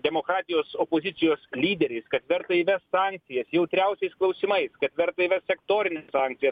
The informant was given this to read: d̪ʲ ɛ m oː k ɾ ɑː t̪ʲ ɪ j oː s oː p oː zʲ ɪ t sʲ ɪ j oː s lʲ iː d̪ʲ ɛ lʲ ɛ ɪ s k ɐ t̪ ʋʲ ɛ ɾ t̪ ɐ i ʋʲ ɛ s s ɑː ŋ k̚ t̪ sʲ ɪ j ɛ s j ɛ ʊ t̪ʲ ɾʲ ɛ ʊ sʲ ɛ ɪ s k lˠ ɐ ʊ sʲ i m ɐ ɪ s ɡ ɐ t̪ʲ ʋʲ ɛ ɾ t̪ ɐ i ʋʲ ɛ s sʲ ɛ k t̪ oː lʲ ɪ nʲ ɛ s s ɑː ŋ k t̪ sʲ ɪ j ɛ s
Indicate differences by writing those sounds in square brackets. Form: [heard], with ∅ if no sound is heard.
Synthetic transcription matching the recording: d̪ʲ ɛ m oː k ɾ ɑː t̪ʲ ɪ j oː s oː p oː zʲ ɪ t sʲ ɪ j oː s lʲ iː d̪ʲ ɛ [ɾʲ] ɛ ɪ s k ɐ t̪ ʋʲ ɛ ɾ t̪ ɐ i ʋʲ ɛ s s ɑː ŋ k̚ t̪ sʲ ɪ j ɛ s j ɛ ʊ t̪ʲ ɾʲ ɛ ʊ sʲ ɛ ɪ s k lˠ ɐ ʊ sʲ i m ɐ ɪ s [k] ɐ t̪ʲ ʋʲ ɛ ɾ t̪ ɐ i ʋʲ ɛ s sʲ ɛ k t̪ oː [ɾʲ] ɪ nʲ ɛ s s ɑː ŋ k t̪ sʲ ɪ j ɛ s